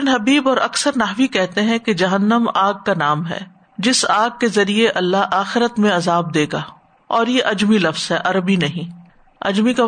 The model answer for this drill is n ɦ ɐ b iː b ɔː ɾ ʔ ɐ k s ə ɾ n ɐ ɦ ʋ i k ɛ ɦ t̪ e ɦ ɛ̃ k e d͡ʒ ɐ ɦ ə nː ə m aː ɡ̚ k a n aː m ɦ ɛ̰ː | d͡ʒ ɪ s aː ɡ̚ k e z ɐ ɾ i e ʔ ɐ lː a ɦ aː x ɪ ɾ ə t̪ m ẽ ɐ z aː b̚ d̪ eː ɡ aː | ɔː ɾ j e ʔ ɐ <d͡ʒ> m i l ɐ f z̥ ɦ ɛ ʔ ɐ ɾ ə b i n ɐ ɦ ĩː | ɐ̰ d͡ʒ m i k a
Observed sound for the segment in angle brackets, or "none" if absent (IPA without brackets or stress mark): d͡ʒ